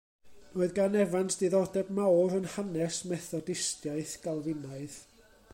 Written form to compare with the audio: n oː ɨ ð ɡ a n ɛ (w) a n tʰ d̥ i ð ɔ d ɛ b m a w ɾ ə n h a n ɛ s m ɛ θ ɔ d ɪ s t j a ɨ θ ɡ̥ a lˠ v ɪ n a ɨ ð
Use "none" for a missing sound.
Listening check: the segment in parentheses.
v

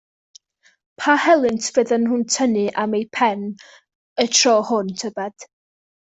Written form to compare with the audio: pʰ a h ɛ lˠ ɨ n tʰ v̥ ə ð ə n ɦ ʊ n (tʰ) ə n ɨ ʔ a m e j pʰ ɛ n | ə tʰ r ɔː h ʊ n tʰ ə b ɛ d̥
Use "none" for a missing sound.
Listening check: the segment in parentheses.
tʰ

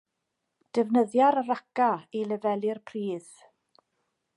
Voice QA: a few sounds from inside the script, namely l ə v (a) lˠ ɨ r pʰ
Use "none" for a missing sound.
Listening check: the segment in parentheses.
ɛ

